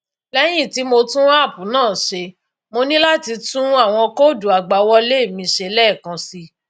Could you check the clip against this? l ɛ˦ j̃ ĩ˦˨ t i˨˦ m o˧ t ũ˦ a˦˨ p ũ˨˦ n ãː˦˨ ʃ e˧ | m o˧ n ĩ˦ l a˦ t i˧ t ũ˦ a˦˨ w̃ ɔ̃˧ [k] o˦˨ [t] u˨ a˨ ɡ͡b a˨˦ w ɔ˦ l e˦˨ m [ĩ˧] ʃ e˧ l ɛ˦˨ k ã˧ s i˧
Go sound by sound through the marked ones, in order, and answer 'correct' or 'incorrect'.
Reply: correct, incorrect, correct

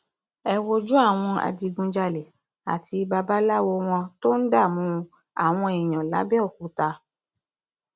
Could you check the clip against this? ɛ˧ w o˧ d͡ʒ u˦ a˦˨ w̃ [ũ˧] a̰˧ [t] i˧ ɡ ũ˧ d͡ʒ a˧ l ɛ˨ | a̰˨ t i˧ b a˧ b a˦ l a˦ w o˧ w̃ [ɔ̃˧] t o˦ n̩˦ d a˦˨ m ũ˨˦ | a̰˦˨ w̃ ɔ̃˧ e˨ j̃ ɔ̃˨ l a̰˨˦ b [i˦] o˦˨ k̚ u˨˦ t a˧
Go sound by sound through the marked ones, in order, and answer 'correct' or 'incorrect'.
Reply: incorrect, incorrect, correct, incorrect

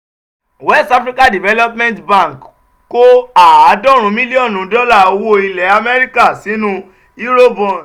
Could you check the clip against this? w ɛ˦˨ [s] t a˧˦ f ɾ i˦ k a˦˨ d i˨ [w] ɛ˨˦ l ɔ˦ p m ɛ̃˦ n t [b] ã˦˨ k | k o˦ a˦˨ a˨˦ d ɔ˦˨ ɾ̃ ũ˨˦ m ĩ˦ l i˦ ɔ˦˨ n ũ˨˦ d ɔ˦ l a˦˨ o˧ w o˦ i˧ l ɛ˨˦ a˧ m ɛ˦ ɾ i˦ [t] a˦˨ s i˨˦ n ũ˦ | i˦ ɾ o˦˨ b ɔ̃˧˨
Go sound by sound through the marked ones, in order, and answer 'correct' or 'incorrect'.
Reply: correct, incorrect, correct, incorrect

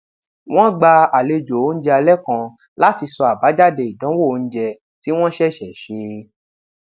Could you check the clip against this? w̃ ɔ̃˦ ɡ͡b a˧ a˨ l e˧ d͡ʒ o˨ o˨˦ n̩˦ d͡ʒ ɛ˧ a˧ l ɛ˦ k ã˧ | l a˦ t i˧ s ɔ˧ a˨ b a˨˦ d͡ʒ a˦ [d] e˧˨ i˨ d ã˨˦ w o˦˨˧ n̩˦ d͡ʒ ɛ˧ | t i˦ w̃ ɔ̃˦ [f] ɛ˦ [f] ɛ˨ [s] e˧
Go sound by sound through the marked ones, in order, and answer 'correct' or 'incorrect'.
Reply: correct, incorrect, incorrect, incorrect

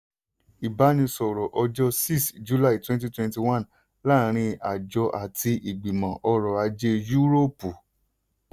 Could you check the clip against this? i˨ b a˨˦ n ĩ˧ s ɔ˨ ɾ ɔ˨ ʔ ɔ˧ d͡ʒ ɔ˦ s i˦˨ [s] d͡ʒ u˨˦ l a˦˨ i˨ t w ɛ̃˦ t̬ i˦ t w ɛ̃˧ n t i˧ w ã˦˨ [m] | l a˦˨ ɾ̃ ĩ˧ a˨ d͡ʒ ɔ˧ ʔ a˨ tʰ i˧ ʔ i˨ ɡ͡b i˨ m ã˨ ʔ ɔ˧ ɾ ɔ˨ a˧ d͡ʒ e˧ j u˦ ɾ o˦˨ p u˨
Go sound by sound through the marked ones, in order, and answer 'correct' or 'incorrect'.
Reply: correct, incorrect

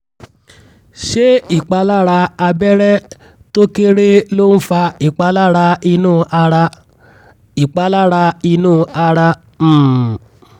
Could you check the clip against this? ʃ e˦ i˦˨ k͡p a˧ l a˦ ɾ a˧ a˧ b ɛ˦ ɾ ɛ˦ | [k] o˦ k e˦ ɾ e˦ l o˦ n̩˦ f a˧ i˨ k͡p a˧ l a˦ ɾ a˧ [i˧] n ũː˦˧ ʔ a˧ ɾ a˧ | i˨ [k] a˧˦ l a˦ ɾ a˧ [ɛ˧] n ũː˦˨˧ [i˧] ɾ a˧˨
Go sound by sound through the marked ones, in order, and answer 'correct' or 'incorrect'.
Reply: incorrect, correct, incorrect, incorrect, incorrect

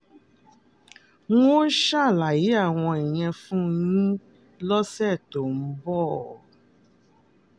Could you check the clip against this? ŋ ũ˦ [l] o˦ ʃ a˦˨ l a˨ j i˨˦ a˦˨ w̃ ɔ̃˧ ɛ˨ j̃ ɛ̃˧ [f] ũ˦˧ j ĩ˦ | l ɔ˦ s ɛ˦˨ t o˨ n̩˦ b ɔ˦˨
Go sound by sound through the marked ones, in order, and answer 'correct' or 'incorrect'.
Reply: incorrect, correct

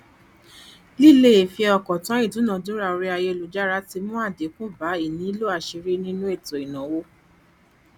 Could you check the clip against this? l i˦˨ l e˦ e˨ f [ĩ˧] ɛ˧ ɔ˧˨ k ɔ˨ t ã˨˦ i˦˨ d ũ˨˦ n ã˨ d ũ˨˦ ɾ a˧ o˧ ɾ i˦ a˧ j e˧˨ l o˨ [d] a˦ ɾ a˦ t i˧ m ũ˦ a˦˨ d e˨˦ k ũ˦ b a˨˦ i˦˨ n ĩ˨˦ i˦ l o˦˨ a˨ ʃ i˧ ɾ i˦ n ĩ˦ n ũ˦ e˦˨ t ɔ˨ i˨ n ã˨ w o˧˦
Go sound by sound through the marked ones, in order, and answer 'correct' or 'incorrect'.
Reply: incorrect, incorrect

